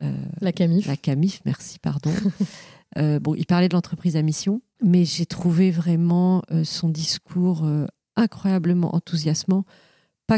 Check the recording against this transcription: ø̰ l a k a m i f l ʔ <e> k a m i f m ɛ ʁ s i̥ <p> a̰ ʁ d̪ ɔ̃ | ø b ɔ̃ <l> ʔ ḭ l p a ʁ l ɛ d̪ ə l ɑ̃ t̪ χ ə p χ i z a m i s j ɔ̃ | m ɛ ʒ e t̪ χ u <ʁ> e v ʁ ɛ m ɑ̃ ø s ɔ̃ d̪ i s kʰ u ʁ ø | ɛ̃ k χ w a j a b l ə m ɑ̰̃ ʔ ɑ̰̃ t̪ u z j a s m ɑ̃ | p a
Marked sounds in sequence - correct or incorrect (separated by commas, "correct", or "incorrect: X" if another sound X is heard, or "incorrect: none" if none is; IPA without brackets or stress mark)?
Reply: incorrect: a, correct, incorrect: none, incorrect: v